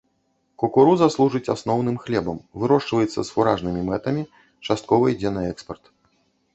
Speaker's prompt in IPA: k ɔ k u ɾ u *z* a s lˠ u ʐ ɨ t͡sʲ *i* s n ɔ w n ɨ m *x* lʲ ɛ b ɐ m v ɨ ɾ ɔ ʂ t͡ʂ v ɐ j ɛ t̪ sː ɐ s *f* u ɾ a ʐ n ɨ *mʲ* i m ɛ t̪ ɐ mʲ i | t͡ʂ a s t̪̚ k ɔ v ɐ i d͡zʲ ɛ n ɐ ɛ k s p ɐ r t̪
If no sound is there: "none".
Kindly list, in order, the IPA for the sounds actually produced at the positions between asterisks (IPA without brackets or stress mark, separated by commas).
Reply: z, a, x, f, mʲ